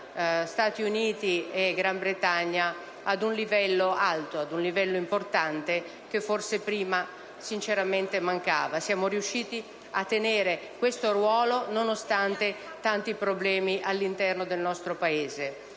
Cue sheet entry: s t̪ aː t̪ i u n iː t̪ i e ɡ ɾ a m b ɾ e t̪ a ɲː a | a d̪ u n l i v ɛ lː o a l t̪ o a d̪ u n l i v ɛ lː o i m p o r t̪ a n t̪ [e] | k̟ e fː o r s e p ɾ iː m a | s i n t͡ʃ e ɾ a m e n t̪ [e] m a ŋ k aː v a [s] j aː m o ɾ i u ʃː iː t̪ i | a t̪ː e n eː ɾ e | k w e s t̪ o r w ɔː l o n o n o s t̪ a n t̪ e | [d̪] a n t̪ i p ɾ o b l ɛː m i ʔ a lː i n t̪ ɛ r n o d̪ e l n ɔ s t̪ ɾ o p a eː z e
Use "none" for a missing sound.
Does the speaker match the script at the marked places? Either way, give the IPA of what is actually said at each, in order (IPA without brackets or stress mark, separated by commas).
e, e, s, t̪